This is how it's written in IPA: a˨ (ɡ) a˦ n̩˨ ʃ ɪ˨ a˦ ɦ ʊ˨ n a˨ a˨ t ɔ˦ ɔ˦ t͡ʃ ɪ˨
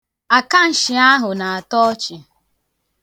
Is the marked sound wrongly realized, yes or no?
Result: yes